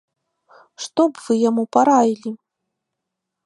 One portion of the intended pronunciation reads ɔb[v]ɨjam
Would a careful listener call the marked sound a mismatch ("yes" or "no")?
no